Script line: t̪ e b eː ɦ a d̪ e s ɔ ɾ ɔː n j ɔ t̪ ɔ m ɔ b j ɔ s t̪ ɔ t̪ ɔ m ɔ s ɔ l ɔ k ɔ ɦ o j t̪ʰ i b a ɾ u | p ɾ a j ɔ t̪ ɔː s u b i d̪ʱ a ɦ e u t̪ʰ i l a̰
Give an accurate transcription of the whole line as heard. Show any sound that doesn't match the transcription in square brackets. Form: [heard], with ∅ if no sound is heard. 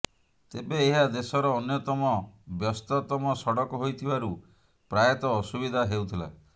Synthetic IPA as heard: t̪ e b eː ɦ a d̪ e s ɔ ɾ ɔː n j ɔ t̪ ɔ m ɔ b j ɔ s t̪ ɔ t̪ ɔ m ɔ s ɔ [ɽ] ɔ k ɔ ɦ o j t̪ʰ i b a ɾ u | p ɾ a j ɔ t̪ ɔː s u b i d̪ʱ a ɦ e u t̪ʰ i l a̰